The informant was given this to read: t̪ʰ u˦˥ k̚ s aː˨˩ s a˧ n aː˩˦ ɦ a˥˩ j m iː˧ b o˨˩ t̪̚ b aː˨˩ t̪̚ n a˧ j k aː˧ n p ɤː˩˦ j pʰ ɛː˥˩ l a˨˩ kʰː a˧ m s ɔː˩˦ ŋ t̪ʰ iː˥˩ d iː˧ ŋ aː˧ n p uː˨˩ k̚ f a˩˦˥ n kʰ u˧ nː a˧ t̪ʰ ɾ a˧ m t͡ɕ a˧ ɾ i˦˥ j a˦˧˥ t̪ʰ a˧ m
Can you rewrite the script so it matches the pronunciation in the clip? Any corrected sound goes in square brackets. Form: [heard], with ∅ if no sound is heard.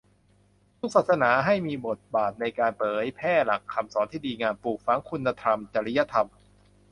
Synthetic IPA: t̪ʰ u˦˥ k̚ s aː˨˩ s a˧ n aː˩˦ ɦ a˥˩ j m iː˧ b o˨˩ t̪̚ b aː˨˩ t̪̚ n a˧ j k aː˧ n p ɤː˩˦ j pʰ ɛː˥˩ l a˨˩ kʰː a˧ m s ɔː˩˦ [n] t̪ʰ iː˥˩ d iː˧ ŋ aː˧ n p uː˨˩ k̚ f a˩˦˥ [ŋ] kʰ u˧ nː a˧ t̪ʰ ɾ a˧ m t͡ɕ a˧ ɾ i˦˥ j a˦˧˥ t̪ʰ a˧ m